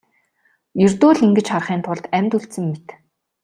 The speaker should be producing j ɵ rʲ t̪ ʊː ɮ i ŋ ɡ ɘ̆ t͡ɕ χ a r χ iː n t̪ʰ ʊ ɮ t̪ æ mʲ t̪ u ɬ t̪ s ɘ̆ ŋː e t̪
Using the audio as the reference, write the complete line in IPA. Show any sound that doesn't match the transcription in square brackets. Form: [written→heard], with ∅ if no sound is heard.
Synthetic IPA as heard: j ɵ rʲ t̪ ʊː ɮ i ŋ ɡ ɘ̆ t͡ɕ χ a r χ iː n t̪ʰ ʊ ɮ t̪ æ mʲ t̪ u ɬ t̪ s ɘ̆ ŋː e t̪